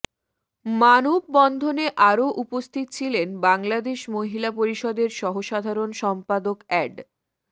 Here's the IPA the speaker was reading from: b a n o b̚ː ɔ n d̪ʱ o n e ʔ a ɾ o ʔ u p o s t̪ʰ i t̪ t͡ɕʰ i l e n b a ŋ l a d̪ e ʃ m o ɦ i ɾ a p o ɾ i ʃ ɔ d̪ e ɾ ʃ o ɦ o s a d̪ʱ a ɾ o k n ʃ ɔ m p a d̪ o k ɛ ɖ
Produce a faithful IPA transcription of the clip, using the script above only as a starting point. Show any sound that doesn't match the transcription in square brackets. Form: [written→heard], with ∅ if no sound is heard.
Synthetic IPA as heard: [b→m] a n o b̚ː ɔ n d̪ʱ o n e ʔ a ɾ o ʔ u p o s t̪ʰ i t̪ t͡ɕʰ i l e n b a ŋ l a d̪ e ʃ m o ɦ i [ɾ→l] a p o ɾ i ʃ ɔ d̪ e ɾ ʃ [o→ɔ] ɦ o [s→ʃ] a d̪ʱ a ɾ o [k→∅] n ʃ ɔ m p a d̪ o k ɛ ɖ